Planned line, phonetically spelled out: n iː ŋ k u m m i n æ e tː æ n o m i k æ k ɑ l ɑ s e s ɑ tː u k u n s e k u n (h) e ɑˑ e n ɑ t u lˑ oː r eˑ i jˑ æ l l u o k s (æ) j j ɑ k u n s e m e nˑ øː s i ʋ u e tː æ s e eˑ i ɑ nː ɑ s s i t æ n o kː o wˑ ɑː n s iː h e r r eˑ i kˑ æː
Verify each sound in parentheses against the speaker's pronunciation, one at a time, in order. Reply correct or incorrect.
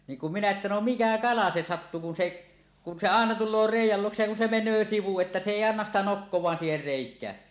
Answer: incorrect: s, incorrect: e

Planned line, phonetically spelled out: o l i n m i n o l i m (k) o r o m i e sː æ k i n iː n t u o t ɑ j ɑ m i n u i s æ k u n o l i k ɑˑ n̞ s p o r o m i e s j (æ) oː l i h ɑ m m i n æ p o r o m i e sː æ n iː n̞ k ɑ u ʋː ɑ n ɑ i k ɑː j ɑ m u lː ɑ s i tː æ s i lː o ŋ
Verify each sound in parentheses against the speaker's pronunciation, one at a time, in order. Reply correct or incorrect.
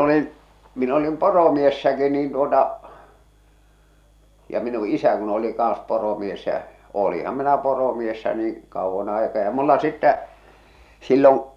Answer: incorrect: p, correct

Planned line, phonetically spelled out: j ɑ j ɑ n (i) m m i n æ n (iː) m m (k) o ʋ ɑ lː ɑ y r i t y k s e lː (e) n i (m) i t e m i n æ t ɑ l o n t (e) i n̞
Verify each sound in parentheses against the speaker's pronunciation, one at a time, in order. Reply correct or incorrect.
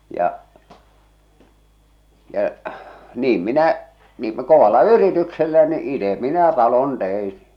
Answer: incorrect: iː, correct, correct, incorrect: æ, incorrect: none, correct

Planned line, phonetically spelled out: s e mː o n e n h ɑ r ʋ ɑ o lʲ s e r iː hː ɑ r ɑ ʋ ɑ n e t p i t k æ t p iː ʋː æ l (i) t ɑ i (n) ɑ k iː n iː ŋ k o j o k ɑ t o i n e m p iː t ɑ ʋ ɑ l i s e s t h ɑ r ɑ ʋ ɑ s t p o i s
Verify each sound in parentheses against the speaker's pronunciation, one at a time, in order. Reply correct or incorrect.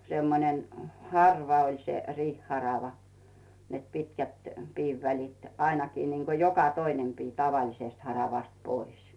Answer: correct, correct

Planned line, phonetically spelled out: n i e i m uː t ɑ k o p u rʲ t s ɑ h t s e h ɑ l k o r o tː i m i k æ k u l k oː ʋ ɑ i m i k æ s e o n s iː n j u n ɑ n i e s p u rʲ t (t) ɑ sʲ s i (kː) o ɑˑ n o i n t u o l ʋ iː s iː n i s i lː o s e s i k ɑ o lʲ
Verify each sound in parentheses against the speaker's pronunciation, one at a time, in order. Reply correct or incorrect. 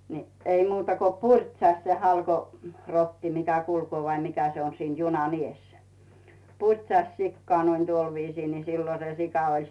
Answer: incorrect: s, correct

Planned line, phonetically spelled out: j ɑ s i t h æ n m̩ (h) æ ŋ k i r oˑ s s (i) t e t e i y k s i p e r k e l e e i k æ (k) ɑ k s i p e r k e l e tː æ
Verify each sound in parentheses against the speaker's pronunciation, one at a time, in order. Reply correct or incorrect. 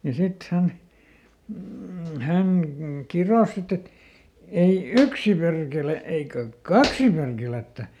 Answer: correct, correct, correct

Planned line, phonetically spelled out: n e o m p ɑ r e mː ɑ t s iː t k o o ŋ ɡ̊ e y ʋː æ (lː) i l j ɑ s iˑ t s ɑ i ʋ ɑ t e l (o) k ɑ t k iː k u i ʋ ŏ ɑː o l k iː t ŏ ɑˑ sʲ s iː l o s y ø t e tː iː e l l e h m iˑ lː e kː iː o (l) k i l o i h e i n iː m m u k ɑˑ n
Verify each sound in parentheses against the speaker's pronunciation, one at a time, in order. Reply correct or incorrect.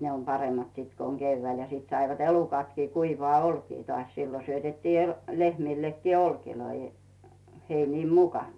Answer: incorrect: none, incorrect: u, correct

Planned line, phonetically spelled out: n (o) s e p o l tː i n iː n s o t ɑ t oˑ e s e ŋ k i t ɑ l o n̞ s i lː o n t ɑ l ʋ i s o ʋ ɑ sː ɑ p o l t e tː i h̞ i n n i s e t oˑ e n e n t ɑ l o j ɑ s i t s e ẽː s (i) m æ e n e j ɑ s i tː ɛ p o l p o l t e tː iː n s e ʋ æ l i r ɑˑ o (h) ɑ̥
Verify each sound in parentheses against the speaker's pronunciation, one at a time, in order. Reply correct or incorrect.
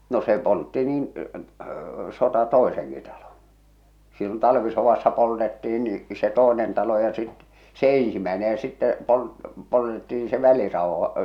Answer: correct, correct, correct

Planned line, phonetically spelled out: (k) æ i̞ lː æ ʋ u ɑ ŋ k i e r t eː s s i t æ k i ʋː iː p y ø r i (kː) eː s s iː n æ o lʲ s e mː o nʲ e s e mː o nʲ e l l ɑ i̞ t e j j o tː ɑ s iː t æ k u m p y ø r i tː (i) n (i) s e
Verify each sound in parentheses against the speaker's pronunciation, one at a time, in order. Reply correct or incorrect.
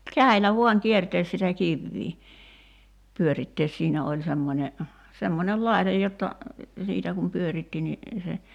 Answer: correct, incorrect: tː, correct, correct

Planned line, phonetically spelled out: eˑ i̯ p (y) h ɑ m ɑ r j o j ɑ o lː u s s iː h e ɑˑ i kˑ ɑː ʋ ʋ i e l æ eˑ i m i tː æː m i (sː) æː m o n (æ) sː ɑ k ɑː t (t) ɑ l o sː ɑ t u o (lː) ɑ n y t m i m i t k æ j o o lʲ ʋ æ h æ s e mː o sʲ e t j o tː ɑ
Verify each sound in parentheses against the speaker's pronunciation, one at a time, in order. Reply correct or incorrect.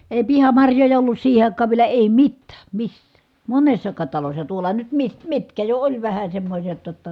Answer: incorrect: i, correct, incorrect: e, correct, incorrect: l

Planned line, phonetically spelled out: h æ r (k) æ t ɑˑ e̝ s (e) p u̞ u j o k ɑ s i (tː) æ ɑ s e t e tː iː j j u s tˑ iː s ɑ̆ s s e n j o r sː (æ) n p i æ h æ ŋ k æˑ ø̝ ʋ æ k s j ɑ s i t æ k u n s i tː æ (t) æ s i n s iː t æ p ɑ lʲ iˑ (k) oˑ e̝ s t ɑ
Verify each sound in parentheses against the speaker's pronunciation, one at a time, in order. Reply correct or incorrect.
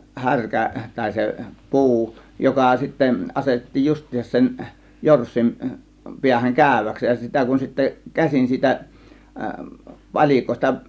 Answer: correct, correct, correct, incorrect: i, incorrect: k, correct

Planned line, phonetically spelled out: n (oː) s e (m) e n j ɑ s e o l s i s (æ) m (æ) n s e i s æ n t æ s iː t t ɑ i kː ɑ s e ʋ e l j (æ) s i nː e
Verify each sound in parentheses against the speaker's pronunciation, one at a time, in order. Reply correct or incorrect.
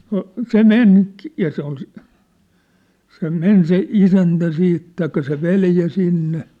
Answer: incorrect: o, correct, incorrect: e, incorrect: e, correct

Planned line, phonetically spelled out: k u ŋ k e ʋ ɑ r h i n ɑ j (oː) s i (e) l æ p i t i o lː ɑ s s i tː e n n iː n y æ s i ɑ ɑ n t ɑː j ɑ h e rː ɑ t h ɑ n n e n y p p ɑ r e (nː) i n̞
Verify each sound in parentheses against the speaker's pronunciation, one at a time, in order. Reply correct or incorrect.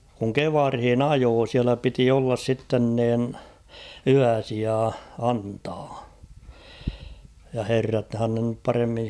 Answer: correct, incorrect: æ, incorrect: mː

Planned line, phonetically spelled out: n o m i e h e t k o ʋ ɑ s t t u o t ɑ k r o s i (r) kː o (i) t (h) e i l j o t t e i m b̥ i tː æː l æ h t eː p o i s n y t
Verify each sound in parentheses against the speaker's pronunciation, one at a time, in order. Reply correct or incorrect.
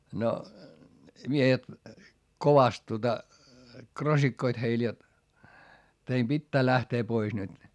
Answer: incorrect: none, correct, correct

